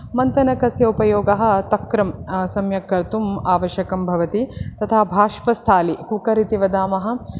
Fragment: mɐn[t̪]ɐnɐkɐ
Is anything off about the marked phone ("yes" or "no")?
no